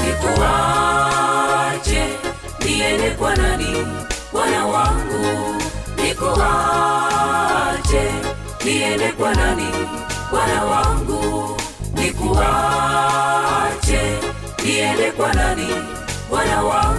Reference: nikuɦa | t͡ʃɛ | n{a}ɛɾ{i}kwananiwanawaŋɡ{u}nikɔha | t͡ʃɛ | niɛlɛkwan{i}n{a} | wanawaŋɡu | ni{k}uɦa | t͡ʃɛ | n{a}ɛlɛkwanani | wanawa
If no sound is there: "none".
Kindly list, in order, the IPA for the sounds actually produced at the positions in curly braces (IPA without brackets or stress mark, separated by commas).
i, ɛ, u, a, i, k, i